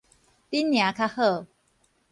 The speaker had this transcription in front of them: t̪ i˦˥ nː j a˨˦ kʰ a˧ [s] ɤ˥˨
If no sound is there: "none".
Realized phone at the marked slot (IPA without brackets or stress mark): h